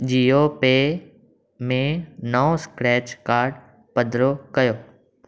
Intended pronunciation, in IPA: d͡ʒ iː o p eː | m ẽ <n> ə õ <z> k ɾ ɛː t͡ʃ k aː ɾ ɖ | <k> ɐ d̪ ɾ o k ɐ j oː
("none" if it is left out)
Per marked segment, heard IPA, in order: n, s, p

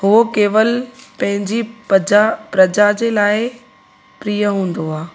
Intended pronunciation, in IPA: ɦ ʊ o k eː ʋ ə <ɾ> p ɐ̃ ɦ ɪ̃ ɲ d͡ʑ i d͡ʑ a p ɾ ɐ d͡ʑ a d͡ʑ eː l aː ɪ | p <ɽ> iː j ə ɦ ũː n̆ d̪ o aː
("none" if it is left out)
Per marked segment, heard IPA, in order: l, ɾ

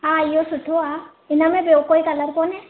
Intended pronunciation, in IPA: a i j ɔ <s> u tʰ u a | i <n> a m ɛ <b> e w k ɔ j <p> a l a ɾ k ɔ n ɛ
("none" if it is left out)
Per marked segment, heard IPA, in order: s, n, b, k

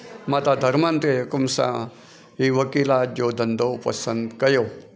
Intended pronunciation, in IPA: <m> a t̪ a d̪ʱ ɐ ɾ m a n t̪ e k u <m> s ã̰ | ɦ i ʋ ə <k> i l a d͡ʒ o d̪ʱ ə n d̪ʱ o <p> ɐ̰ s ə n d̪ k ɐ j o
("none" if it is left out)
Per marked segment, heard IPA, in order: m, m, k, p

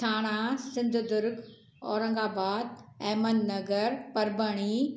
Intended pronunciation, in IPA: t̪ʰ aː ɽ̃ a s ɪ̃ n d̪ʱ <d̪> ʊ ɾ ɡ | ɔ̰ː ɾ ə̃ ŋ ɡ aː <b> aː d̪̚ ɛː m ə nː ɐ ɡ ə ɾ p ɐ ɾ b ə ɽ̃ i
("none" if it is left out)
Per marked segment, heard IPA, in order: d̪, b

